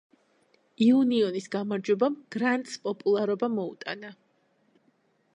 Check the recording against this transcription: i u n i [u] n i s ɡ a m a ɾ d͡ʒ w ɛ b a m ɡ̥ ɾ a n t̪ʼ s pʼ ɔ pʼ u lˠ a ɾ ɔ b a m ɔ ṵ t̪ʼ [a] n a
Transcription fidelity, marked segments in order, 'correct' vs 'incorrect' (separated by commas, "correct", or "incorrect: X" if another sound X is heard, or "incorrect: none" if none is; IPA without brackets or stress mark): incorrect: ɔ, correct